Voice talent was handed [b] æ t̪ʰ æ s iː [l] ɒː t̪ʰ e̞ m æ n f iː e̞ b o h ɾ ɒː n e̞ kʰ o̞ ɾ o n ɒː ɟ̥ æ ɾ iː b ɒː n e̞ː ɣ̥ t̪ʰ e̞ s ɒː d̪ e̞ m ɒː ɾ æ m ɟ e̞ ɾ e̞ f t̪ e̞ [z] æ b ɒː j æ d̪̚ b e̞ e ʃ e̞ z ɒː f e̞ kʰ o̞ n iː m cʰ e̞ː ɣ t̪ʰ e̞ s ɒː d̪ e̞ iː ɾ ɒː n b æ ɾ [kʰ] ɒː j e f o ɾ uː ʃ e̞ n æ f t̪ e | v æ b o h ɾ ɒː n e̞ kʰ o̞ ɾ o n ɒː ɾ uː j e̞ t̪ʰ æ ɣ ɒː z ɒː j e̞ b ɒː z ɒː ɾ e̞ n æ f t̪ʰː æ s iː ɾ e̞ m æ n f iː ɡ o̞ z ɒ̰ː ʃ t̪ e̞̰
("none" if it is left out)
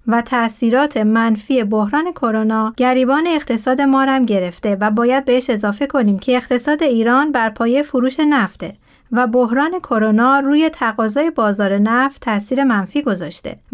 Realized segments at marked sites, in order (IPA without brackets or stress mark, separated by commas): v, ɾ, v, pʰ